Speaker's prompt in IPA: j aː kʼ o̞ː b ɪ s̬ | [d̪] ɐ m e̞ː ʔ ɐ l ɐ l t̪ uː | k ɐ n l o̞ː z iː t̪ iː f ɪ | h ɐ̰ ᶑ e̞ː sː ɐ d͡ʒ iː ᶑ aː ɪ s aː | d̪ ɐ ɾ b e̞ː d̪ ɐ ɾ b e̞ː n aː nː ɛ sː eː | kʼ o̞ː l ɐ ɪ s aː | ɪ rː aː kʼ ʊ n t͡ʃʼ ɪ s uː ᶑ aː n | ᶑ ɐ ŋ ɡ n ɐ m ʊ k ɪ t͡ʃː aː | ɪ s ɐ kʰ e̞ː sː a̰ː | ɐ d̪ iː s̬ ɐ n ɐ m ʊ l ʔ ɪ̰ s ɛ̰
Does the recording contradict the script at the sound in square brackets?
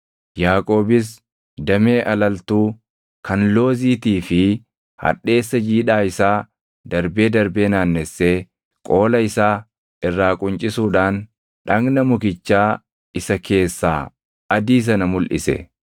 no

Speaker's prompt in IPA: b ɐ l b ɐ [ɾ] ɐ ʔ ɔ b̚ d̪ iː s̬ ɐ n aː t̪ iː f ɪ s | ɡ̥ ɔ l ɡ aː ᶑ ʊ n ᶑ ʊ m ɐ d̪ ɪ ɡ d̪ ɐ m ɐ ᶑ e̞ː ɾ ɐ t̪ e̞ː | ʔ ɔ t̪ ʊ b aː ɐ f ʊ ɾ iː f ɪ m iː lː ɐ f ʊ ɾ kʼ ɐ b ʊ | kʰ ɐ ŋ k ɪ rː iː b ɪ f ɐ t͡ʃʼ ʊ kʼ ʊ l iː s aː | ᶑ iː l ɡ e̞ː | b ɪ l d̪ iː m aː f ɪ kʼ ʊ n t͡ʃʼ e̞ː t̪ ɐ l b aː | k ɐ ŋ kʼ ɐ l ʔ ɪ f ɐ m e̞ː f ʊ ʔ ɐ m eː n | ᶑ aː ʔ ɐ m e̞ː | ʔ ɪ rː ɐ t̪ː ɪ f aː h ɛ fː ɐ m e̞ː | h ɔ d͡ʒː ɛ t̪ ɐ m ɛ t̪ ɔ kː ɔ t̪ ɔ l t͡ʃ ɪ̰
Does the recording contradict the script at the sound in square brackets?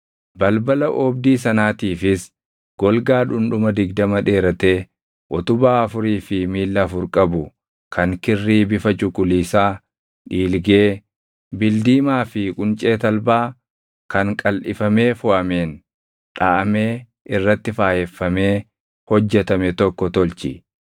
yes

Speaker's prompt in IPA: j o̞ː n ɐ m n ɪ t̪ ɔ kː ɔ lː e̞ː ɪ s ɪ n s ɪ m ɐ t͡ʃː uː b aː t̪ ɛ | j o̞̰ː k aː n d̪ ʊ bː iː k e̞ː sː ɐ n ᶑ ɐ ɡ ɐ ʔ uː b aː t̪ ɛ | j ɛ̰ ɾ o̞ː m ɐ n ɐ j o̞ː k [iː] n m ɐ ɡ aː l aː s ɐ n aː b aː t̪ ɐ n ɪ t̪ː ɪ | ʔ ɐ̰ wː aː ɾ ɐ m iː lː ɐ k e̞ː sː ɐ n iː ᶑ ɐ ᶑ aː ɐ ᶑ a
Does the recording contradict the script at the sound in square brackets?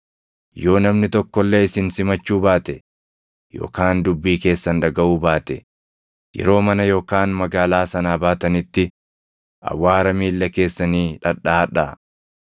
yes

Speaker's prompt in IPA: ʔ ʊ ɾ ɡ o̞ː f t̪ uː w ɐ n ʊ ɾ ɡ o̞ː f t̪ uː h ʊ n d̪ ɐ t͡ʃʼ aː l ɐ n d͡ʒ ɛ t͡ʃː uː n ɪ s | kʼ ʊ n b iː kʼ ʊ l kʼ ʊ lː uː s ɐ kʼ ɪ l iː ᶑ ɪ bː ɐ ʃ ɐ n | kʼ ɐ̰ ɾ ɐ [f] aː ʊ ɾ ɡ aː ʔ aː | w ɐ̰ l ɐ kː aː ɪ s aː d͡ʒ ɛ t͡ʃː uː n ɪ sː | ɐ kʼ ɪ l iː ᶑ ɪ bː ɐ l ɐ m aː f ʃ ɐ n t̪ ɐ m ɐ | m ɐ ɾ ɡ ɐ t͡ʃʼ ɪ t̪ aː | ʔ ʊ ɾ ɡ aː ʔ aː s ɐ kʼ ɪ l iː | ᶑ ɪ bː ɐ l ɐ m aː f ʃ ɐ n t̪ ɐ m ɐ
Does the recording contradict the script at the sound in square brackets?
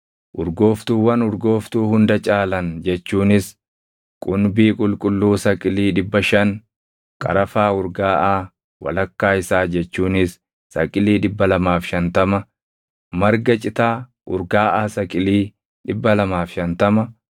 no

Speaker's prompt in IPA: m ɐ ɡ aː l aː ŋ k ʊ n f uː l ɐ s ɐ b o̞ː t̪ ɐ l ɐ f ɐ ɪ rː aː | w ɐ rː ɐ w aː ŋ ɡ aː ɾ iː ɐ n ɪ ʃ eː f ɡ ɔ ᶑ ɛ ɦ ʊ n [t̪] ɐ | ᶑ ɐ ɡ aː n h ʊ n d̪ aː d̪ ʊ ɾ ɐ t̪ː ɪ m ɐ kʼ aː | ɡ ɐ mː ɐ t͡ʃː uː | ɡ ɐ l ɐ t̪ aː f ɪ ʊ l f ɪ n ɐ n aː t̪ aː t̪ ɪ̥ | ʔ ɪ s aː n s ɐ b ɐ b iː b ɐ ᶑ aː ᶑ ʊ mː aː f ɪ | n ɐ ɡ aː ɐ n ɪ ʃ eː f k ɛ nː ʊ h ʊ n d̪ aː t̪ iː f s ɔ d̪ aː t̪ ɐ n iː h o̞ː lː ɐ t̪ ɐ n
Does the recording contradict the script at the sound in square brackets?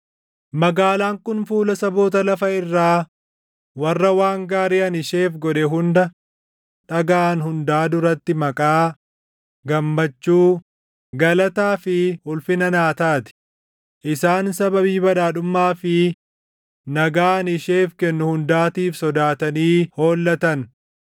yes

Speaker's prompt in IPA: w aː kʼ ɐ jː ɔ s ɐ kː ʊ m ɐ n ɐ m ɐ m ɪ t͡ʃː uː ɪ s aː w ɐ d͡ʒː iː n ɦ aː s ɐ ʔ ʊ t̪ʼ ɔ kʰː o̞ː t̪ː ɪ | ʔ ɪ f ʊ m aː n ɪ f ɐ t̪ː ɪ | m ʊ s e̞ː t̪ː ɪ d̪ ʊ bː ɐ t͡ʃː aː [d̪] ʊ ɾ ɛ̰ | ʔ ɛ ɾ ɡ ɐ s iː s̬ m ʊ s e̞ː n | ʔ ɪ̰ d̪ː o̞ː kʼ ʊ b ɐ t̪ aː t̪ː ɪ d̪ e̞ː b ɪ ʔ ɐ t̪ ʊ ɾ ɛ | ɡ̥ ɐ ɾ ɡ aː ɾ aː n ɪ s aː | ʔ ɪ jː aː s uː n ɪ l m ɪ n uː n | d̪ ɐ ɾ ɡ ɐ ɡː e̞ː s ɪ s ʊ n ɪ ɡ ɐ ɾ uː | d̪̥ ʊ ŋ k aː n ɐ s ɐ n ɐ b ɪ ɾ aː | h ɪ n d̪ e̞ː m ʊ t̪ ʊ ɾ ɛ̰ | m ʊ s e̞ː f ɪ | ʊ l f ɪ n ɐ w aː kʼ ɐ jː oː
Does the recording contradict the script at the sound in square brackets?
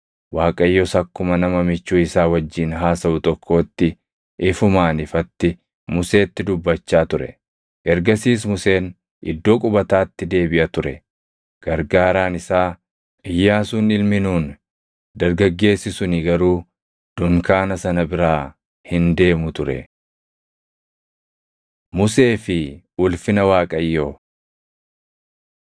yes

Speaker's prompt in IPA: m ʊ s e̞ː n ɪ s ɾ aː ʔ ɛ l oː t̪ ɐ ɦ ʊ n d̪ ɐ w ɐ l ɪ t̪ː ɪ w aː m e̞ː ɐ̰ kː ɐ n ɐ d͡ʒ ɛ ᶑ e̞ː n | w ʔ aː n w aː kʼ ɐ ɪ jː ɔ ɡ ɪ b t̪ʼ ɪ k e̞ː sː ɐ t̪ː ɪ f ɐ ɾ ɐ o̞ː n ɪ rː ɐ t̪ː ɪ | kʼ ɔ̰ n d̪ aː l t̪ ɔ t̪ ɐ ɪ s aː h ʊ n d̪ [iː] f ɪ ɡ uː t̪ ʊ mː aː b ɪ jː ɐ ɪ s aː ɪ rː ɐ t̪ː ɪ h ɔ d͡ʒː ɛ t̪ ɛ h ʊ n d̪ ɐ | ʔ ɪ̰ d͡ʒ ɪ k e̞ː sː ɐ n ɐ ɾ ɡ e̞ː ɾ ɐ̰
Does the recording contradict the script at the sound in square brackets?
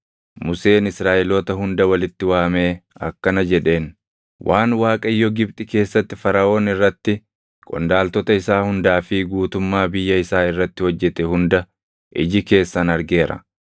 yes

